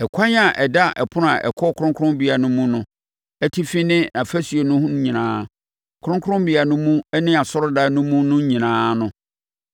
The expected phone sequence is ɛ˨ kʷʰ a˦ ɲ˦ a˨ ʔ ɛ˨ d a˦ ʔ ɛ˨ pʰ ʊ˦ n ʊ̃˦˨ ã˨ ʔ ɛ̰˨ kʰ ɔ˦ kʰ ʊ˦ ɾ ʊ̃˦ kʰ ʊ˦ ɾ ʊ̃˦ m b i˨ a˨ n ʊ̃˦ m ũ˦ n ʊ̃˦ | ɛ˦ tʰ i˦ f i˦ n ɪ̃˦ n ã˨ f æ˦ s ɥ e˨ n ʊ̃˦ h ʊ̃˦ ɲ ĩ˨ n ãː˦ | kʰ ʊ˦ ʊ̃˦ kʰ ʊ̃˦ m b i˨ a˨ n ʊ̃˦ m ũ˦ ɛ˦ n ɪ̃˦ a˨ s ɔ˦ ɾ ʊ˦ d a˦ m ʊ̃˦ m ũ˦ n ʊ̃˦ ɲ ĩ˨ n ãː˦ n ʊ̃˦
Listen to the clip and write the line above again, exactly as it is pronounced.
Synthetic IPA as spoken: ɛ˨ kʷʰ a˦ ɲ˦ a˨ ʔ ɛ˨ d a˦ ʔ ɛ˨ pʰ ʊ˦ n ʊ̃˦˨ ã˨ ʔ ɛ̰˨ kʰ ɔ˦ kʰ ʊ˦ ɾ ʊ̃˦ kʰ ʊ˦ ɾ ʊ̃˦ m b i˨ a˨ n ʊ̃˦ m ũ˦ n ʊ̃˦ | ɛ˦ tʰ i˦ f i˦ n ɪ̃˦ n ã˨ f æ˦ s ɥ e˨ n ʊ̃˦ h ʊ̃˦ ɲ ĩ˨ n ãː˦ | kʰ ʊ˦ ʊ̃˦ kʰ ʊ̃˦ m b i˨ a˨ n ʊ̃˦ m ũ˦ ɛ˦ n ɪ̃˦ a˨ s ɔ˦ ɾ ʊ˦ d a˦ n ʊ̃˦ m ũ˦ n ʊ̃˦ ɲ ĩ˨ n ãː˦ n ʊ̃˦